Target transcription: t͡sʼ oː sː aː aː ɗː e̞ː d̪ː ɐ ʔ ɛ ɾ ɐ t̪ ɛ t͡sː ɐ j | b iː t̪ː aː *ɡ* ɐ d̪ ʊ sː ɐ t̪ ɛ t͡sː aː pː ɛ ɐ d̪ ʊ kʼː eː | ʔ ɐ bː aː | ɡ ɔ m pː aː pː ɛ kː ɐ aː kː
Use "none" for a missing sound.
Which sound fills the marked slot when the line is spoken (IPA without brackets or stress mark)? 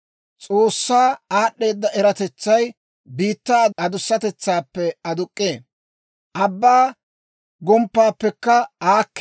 none